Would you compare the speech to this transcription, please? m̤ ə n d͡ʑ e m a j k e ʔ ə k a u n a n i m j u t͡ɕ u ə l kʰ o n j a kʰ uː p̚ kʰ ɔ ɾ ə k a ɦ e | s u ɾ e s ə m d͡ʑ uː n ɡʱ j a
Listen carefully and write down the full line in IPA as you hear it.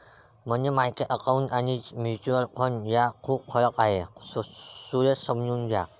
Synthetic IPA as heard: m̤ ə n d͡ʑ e m a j k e ʔ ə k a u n a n i m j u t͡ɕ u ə l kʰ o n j a kʰ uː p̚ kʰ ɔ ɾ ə k a ɦ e | s u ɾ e s ə m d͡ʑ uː n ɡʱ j a